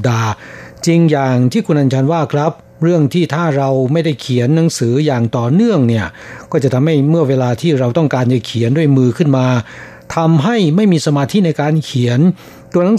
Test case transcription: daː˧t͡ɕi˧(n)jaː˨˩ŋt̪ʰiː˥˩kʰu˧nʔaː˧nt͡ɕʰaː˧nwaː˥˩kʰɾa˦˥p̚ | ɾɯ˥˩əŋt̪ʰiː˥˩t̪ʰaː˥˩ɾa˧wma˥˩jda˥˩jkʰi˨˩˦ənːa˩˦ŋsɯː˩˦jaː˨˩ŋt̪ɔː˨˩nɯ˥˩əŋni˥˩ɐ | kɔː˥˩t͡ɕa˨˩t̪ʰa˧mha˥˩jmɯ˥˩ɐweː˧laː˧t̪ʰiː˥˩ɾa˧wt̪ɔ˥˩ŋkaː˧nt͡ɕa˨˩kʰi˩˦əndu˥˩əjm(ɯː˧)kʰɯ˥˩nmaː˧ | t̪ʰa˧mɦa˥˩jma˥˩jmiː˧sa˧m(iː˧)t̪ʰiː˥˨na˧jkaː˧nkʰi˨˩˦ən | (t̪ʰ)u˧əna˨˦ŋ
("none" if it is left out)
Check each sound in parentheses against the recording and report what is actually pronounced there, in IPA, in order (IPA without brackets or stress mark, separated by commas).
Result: ŋ, ɯː˧, aː˧, t̪